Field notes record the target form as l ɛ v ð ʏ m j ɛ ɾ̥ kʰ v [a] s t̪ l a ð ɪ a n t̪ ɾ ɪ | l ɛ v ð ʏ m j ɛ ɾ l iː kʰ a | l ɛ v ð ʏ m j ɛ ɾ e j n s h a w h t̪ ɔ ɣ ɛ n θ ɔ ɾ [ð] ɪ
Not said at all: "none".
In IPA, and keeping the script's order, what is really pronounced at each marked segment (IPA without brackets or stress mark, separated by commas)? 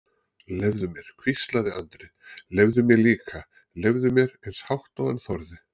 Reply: i, ð